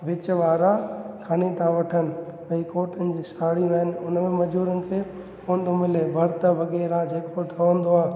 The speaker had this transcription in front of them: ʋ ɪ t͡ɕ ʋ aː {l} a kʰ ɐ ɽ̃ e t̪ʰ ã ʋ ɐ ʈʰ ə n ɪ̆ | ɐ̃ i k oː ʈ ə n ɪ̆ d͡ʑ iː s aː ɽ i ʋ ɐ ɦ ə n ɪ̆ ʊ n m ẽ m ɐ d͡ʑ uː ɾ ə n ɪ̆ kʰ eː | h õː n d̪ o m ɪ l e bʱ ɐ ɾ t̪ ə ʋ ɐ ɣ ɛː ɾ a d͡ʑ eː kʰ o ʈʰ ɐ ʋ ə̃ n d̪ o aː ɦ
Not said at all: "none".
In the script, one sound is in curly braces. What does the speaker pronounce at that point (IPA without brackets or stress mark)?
ɾ